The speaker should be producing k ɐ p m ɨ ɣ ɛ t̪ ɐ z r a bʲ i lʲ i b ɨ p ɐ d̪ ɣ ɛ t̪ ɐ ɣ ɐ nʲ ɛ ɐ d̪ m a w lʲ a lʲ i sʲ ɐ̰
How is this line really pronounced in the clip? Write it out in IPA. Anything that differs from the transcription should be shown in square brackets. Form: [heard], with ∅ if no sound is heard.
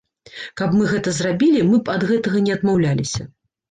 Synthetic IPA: k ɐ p m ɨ ɣ ɛ t̪ ɐ z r a bʲ i lʲ i [m] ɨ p ɐ d̪ ɣ ɛ t̪ ɐ ɣ ɐ nʲ ɛ ɐ d̪ m a w lʲ a lʲ i sʲ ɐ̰

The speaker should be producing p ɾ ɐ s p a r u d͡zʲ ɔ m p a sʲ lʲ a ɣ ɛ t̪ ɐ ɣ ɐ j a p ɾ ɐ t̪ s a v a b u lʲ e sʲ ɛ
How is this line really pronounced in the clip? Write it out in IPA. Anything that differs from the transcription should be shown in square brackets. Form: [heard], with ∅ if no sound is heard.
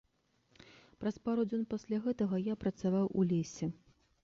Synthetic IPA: p ɾ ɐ s p a [ɾ] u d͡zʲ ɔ [n] p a sʲ lʲ a ɣ ɛ t̪ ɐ ɣ ɐ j a p ɾ ɐ t̪ s a v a [w] u lʲ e sʲ ɛ

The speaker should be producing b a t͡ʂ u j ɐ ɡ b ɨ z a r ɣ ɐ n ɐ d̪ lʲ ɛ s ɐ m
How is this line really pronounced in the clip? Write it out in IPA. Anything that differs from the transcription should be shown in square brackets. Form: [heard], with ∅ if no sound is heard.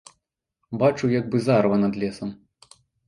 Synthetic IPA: b a t͡ʂ u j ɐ ɡ b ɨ z a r [v] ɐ n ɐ d̪ lʲ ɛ s ɐ m

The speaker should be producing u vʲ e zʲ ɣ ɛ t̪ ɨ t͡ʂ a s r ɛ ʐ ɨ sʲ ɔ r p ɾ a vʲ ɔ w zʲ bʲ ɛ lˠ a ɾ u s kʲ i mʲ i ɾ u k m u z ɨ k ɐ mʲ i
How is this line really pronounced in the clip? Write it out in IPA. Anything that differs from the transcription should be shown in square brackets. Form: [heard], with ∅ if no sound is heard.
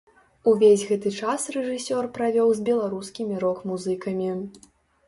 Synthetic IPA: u vʲ e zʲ ɣ ɛ t̪ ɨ t͡ʂ a s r ɛ ʐ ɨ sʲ ɔ r p ɾ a vʲ ɔ w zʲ bʲ ɛ lˠ a ɾ u s kʲ i mʲ i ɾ [ɔ] k m u z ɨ k ɐ mʲ i

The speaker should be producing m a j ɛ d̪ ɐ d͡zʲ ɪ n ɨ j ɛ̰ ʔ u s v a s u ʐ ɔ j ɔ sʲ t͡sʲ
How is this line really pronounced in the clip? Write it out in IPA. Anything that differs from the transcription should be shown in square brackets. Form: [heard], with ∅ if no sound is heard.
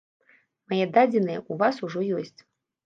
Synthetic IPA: m a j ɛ d̪ [a] d͡zʲ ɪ n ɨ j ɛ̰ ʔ u [∅] v a s u ʐ ɔ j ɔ sʲ t͡sʲ

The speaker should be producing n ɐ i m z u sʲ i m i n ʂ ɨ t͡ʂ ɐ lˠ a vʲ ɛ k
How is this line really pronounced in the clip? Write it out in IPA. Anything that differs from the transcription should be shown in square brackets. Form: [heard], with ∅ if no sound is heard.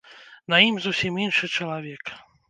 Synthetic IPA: n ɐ i m z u sʲ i m i n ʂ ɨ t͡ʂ ɐ lˠ a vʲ ɛ k

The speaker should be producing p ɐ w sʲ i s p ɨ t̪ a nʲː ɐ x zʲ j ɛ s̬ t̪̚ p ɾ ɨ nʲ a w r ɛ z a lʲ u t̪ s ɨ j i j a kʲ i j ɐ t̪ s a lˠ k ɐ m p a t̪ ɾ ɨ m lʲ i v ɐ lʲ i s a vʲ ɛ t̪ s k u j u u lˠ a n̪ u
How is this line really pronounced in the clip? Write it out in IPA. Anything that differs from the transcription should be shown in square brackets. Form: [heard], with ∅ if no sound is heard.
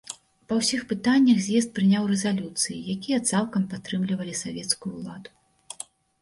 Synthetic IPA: p ɐ w sʲ i [x] p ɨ t̪ a nʲː ɐ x zʲ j ɛ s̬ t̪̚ p ɾ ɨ nʲ a w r ɛ z a lʲ u t̪ s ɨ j i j a kʲ i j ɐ t̪ s a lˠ k ɐ m p a t̪ ɾ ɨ m lʲ i v ɐ lʲ i s a vʲ ɛ t̪ s k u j u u lˠ a [d̪] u

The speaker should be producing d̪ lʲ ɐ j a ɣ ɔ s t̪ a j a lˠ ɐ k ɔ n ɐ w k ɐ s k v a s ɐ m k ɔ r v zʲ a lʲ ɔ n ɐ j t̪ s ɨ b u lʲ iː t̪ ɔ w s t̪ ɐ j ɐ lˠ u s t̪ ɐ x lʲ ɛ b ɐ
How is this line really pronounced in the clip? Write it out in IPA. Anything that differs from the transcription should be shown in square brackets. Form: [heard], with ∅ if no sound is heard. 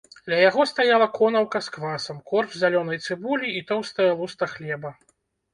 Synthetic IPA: d̪ lʲ ɐ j a ɣ ɔ s t̪ a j a lˠ ɐ k ɔ n ɐ w k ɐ s k v a s ɐ m k ɔ r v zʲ a lʲ ɔ n ɐ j t̪ s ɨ b u lʲ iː t̪ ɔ w s t̪ ɐ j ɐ lˠ u s t̪ ɐ x lʲ ɛ b ɐ

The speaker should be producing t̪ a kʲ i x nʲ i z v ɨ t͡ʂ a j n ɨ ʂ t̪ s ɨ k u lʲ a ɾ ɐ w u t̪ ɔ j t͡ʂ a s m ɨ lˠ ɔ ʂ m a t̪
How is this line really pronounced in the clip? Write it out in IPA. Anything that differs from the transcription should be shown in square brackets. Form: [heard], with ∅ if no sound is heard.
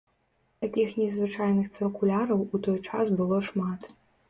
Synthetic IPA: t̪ a kʲ i x nʲ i z v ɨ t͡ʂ a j n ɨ [x] t̪ s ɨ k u lʲ a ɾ ɐ w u t̪ ɔ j t͡ʂ a s [b] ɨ lˠ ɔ ʂ m a t̪

